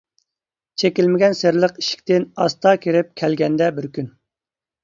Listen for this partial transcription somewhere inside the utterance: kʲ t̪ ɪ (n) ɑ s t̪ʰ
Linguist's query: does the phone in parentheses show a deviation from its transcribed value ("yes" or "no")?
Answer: no